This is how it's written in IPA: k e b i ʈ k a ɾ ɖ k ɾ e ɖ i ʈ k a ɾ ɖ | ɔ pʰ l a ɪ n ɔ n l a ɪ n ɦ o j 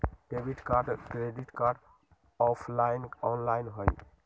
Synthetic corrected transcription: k e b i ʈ k a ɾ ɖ k ɾ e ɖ i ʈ k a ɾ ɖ | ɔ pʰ l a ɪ n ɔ n l a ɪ n ɦ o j